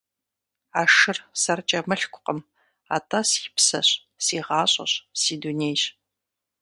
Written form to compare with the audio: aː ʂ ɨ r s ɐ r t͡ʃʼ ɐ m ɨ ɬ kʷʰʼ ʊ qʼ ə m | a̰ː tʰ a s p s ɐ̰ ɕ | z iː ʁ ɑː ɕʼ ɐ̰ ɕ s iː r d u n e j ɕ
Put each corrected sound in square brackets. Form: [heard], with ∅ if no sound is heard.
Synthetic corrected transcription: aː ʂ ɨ r s ɐ r t͡ʃʼ ɐ m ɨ ɬ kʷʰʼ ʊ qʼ ə m | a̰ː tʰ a s p s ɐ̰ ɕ | [s] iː ʁ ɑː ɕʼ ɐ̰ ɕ s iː [∅] d u n e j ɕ